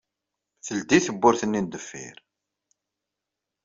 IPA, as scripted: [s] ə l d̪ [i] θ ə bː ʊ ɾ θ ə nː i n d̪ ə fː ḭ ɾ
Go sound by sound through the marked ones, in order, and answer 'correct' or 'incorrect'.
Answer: incorrect: θ, correct

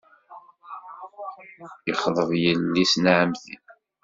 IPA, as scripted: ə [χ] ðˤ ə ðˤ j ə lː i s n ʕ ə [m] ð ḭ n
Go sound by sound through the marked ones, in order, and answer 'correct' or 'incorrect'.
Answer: correct, correct

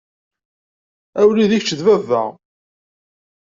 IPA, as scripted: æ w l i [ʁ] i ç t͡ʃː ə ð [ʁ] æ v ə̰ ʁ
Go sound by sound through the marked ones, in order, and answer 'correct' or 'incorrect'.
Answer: incorrect: ð, incorrect: v

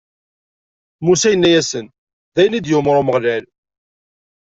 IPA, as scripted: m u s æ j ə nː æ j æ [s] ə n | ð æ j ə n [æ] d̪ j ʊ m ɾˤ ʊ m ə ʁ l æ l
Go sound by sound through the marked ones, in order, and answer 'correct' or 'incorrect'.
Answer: correct, incorrect: i

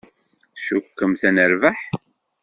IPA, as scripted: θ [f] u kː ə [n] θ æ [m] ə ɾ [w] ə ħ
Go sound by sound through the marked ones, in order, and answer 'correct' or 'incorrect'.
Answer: incorrect: ʃ, incorrect: m, incorrect: n, incorrect: v

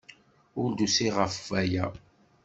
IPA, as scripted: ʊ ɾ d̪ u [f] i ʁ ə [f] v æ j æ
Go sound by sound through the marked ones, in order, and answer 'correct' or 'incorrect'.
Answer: incorrect: s, correct

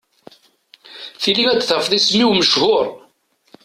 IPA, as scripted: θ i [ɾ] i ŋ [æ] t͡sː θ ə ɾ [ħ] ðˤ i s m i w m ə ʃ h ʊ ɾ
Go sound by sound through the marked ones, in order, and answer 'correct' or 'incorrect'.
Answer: incorrect: l, correct, incorrect: f

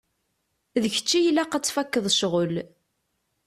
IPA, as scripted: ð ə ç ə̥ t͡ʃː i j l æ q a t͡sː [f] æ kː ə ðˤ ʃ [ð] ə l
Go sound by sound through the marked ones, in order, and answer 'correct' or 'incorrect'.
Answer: correct, incorrect: ʁ

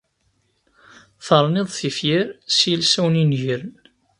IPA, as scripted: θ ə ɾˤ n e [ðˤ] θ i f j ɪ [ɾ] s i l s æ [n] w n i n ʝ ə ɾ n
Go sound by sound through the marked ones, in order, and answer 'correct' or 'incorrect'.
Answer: correct, correct, incorrect: none

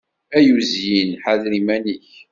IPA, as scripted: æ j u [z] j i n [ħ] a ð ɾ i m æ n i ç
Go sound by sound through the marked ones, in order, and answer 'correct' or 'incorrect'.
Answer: correct, correct

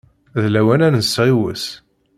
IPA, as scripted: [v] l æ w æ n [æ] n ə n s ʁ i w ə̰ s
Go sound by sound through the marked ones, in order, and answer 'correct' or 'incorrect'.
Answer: incorrect: ð, correct

